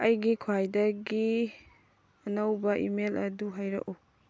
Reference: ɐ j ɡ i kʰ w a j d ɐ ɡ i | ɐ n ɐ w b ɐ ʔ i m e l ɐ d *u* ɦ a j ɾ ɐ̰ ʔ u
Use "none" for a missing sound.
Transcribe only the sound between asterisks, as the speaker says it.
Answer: u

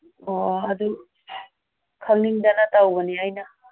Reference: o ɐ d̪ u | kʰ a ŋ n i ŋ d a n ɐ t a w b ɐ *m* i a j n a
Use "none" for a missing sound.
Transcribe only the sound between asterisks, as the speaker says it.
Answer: n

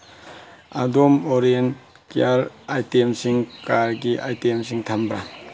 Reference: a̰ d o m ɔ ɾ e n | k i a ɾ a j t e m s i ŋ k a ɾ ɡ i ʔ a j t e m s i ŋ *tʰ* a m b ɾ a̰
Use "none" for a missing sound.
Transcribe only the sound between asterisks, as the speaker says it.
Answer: tʰ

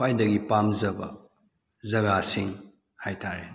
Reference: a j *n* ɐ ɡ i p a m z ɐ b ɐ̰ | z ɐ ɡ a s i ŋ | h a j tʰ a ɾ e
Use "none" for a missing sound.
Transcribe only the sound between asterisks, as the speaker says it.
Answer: d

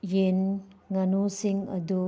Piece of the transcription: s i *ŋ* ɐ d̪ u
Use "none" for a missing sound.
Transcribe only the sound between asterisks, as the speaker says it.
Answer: ŋ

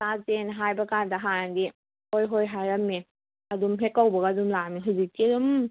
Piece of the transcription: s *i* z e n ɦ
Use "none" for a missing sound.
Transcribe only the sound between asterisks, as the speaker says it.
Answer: a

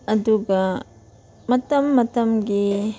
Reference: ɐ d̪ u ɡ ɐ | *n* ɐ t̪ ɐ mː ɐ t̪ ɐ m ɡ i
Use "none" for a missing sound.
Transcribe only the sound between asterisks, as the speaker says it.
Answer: m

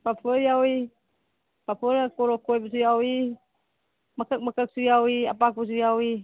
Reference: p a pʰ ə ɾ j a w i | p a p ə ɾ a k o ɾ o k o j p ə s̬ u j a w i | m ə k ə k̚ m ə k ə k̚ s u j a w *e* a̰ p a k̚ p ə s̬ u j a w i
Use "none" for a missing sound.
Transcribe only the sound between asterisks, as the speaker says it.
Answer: i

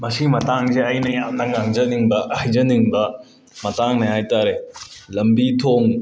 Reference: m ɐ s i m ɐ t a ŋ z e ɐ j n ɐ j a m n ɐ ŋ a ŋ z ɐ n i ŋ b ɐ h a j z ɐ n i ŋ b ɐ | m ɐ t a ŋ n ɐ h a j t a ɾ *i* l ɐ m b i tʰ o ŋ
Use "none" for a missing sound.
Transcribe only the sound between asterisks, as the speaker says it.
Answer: e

